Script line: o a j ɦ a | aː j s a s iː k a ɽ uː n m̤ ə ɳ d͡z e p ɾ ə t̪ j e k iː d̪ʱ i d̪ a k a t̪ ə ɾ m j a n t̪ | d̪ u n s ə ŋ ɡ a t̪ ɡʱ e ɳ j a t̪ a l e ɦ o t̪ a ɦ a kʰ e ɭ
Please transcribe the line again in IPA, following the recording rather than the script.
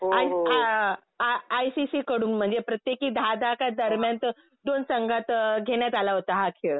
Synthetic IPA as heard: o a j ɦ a | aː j s i s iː k ə ɽ uː n m̤ ə ɳ d͡z e p ɾ ə t̪ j e k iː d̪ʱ a d̪ a k a d̪ ə ɾ m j a n t̪ | d̪ o n s ə ŋ ɡ a t̪ ɡʱ e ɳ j a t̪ a l a ɦ o t̪ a ɦ a kʰ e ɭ